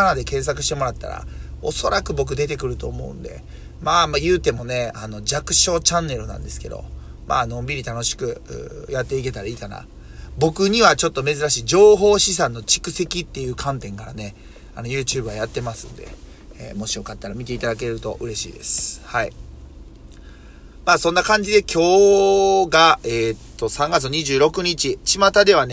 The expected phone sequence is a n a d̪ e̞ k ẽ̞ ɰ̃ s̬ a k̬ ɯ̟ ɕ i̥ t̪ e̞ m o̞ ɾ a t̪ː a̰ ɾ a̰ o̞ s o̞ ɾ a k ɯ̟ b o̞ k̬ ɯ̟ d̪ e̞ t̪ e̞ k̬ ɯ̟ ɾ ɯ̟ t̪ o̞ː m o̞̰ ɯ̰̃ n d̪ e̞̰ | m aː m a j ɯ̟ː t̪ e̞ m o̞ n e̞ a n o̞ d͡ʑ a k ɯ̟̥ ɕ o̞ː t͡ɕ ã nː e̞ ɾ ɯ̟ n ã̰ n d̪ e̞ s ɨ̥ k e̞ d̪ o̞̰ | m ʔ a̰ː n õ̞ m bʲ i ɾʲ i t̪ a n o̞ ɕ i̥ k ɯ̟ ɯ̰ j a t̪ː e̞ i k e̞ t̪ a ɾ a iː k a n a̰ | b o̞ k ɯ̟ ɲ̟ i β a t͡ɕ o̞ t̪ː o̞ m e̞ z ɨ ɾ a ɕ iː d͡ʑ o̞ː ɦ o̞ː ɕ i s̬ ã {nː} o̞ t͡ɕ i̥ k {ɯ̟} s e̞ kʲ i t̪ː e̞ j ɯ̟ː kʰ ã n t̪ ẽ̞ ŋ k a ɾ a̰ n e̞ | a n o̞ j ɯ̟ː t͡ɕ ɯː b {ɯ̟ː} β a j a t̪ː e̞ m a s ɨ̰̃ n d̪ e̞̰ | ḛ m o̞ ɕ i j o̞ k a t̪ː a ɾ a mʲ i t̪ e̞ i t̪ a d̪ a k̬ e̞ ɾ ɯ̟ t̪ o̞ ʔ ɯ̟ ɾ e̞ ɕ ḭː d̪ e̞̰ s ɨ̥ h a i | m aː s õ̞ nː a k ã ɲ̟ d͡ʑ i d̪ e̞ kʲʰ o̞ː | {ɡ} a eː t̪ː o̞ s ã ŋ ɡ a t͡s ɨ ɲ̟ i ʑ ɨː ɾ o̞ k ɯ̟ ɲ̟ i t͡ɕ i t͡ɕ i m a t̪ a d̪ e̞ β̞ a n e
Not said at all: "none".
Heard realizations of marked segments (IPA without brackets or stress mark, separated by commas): nː, ɯ̟, ɯ̟, ɡ